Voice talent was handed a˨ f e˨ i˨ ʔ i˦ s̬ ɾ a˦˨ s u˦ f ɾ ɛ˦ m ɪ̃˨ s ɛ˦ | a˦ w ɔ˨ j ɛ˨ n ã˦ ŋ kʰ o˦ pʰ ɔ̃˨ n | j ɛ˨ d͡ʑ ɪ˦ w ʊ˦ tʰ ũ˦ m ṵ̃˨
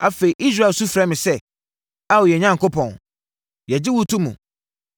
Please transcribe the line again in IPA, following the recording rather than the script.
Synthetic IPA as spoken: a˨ f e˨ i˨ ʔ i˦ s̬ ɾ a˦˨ s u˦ f ɾ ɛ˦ m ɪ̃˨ s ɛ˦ | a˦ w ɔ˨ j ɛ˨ ɲ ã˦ ŋ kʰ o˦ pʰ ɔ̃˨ n | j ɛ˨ d͡ʑ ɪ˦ w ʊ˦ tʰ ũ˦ m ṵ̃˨

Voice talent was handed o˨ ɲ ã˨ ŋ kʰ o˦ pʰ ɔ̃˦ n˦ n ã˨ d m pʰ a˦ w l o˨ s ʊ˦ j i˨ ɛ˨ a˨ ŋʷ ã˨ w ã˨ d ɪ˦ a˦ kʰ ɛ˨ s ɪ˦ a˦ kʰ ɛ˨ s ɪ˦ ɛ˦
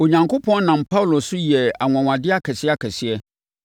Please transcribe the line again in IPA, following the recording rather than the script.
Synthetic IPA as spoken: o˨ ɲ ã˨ ŋ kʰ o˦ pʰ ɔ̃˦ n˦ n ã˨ m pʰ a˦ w l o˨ s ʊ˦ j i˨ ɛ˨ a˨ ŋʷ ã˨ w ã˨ d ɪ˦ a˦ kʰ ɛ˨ s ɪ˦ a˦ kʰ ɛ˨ s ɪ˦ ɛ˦

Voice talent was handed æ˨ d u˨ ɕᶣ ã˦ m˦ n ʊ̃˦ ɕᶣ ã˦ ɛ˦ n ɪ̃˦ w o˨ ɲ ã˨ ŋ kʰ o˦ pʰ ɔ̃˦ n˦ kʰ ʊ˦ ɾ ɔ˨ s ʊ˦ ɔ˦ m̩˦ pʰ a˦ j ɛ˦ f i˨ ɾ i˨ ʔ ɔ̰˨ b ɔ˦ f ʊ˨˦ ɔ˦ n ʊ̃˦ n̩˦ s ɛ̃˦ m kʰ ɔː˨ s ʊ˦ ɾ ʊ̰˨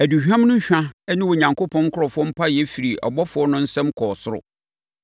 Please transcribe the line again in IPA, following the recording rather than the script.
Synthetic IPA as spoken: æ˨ d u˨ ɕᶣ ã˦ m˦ n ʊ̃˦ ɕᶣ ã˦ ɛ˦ n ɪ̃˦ w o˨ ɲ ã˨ ŋ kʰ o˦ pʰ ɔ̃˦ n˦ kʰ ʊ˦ ɾ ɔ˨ f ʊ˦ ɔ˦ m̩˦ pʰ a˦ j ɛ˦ f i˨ ɾ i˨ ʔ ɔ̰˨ b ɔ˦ f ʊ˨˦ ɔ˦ n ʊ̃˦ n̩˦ s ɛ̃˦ m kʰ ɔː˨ s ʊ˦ ɾ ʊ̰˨

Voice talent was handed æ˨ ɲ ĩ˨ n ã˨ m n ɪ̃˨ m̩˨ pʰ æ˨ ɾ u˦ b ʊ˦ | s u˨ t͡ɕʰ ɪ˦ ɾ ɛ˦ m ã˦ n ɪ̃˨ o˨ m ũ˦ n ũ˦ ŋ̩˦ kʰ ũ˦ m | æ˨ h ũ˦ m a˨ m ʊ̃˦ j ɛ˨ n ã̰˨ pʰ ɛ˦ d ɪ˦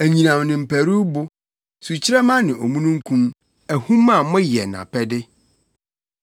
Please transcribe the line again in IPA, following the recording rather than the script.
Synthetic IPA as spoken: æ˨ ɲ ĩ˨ n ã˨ m n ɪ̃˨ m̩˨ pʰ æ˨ ɾ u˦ b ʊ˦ | s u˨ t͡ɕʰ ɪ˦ ɾ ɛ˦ m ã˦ n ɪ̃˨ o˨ m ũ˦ n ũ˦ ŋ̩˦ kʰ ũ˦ m | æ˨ h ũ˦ m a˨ m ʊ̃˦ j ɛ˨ n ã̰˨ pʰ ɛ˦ d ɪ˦

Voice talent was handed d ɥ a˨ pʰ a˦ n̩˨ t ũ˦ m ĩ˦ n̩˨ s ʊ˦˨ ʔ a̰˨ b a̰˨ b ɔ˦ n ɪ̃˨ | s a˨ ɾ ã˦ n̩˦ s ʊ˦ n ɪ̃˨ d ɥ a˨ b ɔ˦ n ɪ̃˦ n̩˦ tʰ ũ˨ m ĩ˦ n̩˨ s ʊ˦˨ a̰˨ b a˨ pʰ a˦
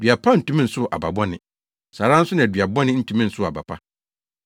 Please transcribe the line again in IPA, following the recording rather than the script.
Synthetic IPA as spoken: d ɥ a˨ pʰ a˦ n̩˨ t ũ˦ m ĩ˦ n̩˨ s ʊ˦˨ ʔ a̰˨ b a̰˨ b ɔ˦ n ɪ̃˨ | s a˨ ɾ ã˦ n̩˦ s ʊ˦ n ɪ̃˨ d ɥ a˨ b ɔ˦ n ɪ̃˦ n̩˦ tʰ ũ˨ m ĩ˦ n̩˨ s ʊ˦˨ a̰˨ b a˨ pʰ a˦

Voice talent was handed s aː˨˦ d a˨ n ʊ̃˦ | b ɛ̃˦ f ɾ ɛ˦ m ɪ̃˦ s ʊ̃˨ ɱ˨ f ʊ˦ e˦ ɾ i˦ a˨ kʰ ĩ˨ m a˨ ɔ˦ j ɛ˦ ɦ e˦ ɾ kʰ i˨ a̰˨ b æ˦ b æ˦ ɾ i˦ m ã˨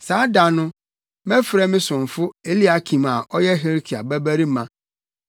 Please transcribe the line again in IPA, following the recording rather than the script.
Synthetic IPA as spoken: s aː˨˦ d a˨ n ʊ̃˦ | m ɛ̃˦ f ɾ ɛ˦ m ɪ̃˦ s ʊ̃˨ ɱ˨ f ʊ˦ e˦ l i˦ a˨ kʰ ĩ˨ m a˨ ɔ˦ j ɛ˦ ɦ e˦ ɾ kʰ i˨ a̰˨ b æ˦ b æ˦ ɾ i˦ m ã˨

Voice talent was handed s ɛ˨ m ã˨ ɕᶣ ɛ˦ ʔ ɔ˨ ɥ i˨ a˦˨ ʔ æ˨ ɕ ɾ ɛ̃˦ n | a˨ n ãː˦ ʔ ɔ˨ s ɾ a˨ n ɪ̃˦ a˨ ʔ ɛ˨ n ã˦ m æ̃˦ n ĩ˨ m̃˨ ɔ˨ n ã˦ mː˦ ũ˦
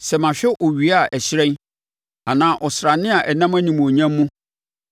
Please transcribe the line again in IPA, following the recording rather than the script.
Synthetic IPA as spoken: s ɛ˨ m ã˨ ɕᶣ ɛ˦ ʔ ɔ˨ ɥ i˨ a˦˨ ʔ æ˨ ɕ ɾ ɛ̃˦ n | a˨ n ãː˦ ʔ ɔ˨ s ɾ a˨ n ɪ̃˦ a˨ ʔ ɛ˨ n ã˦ m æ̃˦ n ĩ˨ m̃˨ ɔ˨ ɲ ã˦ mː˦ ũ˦

